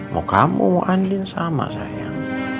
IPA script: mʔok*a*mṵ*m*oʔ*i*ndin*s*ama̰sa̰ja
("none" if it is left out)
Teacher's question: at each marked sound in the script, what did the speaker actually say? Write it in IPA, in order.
a, m, a, s

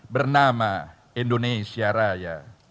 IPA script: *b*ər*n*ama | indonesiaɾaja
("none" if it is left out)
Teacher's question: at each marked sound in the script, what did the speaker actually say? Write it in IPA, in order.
b, n

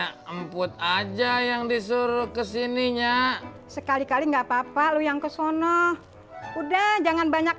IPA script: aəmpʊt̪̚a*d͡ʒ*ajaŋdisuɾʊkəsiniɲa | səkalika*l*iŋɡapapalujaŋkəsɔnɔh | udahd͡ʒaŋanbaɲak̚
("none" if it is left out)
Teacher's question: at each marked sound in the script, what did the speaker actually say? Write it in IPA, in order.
d͡ʒ, l

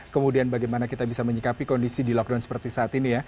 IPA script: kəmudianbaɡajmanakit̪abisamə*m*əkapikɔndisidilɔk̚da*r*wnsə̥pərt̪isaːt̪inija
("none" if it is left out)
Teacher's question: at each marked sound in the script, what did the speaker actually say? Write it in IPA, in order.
ɲ, none

